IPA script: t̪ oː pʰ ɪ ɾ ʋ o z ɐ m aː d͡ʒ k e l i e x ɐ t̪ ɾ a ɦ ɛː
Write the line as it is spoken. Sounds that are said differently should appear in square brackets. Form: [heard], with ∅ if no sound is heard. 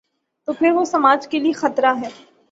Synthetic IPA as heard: t̪ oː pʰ ɪ ɾ ʋ o [s] ɐ m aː d͡ʒ k e l i e x ɐ t̪ ɾ a ɦ ɛː